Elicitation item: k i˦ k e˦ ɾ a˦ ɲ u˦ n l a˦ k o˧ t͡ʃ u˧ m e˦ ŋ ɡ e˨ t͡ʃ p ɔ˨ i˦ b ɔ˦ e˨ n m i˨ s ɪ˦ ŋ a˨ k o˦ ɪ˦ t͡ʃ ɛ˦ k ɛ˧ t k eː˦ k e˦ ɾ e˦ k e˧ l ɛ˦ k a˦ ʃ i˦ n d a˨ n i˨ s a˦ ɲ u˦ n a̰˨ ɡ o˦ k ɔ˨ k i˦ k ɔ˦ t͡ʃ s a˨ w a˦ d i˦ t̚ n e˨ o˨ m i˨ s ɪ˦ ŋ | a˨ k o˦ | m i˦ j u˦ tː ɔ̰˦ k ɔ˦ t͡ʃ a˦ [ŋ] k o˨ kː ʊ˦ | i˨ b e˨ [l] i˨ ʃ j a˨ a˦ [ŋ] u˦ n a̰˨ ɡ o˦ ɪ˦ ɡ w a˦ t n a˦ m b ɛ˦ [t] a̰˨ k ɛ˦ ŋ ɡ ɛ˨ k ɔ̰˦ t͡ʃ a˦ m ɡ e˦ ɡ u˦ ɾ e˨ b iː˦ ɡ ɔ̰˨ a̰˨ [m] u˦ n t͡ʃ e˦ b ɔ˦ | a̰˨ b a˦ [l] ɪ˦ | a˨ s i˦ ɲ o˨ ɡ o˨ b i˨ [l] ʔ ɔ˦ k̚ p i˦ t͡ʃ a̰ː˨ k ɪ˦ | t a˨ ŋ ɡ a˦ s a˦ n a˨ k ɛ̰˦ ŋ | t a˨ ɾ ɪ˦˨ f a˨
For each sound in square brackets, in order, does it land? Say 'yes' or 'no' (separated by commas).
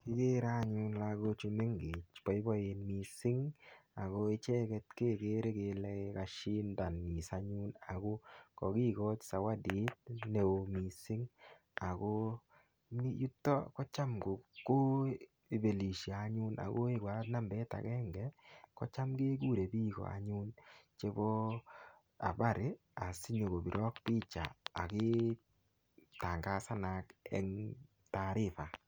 no, yes, no, yes, no, no, no